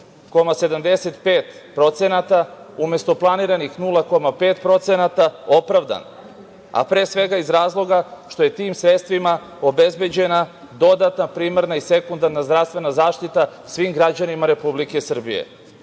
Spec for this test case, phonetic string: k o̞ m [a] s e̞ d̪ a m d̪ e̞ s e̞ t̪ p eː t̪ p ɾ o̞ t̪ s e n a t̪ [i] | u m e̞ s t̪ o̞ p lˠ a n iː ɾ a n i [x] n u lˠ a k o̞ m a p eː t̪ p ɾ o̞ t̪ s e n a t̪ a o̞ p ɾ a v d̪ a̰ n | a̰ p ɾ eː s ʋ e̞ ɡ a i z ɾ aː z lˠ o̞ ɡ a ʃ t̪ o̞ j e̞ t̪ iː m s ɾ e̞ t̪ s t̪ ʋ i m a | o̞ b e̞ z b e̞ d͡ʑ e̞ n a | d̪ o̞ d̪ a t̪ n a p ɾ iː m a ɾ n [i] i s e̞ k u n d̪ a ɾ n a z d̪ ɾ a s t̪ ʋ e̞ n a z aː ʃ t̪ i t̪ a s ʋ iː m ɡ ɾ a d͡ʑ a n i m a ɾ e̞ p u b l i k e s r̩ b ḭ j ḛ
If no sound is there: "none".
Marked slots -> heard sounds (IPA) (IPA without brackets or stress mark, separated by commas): a, a, x, a